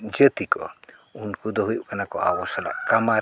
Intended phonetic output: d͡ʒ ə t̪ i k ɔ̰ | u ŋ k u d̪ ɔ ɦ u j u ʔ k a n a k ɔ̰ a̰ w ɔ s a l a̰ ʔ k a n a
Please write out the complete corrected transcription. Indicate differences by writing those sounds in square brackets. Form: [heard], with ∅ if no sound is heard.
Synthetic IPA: d͡ʒ ə t̪ i k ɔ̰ | u [n] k u d̪ ɔ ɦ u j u ʔ k a n a k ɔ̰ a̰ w ɔ s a l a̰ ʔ k a [m] a